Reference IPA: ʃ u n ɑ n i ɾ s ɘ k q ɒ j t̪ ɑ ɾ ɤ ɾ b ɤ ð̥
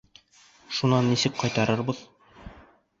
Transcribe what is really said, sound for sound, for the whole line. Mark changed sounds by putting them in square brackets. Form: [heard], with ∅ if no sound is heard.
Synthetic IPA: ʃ u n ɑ [nː] i [∅] s ɘ k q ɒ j t̪ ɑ ɾ ɤ ɾ b ɤ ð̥